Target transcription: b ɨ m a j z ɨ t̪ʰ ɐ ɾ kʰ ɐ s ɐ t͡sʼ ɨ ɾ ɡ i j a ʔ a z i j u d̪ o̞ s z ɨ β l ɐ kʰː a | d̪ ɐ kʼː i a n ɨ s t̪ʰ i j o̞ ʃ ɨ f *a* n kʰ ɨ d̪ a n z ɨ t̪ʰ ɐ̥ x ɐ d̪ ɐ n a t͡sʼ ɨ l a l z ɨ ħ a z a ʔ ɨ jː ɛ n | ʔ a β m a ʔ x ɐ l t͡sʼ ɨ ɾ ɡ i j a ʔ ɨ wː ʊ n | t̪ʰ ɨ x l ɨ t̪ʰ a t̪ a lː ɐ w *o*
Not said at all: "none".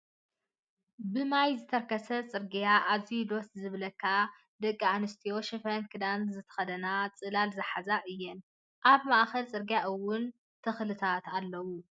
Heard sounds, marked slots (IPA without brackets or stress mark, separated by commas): ɐ, u